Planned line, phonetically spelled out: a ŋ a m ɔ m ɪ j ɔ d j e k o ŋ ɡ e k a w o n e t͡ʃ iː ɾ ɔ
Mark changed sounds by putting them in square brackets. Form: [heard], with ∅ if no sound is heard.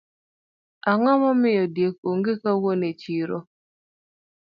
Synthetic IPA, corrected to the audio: a ŋ a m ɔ m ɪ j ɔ d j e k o ŋ ɡ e k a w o n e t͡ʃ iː ɾ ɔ